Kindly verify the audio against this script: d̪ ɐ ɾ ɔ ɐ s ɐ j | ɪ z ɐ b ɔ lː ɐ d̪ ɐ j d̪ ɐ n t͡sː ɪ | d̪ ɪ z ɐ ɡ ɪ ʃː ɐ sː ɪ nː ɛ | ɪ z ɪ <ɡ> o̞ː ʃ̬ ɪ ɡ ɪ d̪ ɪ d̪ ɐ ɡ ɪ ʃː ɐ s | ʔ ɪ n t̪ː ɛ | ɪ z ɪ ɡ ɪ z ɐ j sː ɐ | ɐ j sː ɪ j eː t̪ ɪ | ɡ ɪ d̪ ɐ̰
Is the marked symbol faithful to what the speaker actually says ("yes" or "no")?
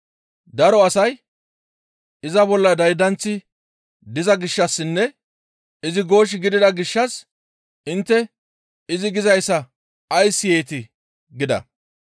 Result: yes